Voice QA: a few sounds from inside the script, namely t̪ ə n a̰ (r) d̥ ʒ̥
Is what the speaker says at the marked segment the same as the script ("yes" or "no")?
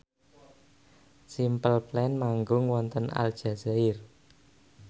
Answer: no